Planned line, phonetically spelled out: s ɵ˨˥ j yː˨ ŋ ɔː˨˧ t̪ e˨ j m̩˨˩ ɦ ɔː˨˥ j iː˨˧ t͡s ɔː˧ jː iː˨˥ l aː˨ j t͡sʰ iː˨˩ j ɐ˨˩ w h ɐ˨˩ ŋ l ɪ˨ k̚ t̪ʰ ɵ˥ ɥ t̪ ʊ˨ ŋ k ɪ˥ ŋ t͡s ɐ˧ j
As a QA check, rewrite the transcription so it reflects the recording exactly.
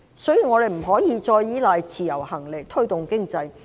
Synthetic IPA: s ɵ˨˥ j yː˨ ŋ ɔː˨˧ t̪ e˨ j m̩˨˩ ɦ ɔː˨˥ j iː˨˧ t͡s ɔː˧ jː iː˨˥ l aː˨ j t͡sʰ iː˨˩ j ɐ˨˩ w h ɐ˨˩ ŋ l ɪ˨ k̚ t̪ʰ ɵ˥ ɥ t̪ ʊ˨ ŋ k ɪ˥ ŋ t͡s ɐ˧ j

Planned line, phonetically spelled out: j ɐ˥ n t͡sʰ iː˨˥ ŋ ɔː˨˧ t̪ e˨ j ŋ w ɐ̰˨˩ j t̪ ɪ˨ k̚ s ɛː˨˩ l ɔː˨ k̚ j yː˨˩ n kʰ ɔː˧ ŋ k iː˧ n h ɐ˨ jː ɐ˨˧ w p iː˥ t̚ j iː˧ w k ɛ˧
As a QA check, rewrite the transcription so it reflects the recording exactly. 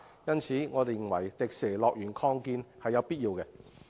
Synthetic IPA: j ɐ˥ n t͡sʰ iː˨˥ ŋ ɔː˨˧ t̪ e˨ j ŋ w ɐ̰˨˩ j t̪ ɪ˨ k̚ s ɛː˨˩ l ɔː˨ k̚ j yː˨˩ n kʰ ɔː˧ ŋ k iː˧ n h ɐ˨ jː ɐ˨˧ w p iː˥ t̚ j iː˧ w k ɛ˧

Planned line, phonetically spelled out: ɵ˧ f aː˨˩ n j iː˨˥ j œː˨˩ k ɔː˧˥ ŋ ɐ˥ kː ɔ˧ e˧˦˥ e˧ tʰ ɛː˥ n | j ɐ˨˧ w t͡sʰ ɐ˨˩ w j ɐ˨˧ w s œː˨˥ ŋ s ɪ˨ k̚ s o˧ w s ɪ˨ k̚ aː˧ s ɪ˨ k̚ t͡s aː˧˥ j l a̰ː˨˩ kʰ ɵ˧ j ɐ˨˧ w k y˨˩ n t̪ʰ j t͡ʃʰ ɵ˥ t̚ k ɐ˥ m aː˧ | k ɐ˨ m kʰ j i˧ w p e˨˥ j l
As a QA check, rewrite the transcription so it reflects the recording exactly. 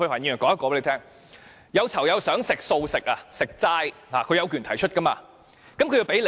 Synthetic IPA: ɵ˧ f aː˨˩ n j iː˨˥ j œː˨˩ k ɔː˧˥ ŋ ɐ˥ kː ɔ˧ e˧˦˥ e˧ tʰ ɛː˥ ŋ | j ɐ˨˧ w t͡sʰ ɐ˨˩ w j ɐ˨˧ w s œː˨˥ ŋ s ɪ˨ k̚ s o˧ w s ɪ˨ k̚ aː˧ s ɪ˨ k̚ t͡s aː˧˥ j l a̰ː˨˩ kʰ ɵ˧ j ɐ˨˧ w k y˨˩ n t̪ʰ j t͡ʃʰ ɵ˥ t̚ k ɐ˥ m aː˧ | k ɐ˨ m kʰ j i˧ w p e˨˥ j l

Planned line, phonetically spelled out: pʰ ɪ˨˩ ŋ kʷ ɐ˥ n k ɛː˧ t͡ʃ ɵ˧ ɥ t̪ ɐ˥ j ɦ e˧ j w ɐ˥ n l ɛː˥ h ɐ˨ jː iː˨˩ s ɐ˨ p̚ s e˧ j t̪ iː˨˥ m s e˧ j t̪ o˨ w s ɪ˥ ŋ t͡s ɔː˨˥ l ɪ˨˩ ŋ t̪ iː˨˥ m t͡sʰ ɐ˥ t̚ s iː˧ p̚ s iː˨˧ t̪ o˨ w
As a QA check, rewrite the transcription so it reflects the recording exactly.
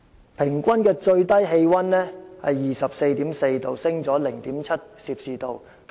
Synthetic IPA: pʰ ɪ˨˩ ŋ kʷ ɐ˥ n k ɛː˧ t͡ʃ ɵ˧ ɥ t̪ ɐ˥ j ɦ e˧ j w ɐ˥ n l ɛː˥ h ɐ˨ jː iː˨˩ s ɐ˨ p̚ s e˧ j t̪ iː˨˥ m s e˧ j t̪ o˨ w s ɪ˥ ŋ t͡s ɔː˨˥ l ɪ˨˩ ŋ t̪ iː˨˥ m t͡sʰ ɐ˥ t̚ s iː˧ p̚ s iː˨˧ t̪ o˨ w

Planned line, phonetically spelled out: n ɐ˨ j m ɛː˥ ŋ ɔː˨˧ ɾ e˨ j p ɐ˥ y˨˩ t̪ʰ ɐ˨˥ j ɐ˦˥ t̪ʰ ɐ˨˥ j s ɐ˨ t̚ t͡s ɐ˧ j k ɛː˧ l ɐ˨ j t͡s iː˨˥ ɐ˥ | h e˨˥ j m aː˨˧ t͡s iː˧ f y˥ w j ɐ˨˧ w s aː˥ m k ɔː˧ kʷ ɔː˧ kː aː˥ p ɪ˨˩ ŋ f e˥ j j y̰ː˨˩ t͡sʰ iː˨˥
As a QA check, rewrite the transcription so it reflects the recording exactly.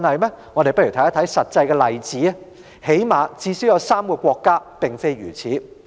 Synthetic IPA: n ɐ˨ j m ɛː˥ ŋ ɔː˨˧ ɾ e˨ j p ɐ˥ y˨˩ t̪ʰ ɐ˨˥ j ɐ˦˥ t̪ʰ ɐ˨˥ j s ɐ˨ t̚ t͡s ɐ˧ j k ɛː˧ l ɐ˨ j t͡s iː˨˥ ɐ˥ | h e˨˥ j m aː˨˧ t͡s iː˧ s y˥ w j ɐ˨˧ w s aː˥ m k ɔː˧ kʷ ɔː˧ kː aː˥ p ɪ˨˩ ŋ f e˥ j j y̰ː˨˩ t͡sʰ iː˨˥

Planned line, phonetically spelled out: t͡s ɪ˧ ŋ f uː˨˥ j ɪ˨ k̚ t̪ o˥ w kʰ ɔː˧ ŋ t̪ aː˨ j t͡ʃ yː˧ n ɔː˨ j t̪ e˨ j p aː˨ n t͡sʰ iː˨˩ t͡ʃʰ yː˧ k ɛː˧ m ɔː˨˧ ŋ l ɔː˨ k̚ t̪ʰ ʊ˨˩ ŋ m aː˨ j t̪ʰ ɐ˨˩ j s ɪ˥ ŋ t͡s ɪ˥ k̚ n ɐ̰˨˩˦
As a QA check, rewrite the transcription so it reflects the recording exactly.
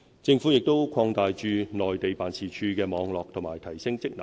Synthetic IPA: t͡s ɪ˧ ŋ f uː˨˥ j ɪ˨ k̚ t̪ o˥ w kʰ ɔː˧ ŋ t̪ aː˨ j t͡ʃ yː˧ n ɔː˨ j t̪ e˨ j p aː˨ n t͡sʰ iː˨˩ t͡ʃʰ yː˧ k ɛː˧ m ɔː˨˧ ŋ l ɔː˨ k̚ t̪ʰ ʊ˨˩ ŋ m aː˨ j t̪ʰ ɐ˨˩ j s ɪ˥ ŋ t͡s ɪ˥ k̚ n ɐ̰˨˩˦

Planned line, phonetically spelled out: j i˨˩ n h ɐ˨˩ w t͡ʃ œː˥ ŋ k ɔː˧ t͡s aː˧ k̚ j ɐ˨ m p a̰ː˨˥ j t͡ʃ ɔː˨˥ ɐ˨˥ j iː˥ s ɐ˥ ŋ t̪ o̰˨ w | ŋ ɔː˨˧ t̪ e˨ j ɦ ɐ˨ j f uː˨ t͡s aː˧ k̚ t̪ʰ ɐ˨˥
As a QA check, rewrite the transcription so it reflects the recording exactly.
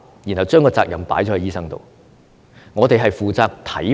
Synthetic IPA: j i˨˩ n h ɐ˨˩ w t͡ʃ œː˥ ŋ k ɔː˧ t͡s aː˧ k̚ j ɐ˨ m p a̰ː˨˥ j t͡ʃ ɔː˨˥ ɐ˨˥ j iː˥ s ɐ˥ ŋ t̪ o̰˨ w | ŋ ɔː˨˧ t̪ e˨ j ɦ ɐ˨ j f uː˨ t͡s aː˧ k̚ t̪ʰ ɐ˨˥

